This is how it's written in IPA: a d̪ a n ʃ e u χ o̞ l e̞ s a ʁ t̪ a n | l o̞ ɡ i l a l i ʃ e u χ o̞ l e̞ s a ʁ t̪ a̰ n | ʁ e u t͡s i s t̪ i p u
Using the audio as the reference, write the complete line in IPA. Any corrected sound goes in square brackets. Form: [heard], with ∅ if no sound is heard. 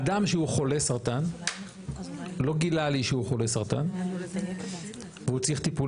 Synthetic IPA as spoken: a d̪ a [m] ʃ e u χ o̞ l e̞ s a ʁ t̪ a n | l o̞ ɡ i l a l i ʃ e u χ o̞ l e̞ s a ʁ t̪ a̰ n | [v] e u t͡s i [χ] t̪ i p u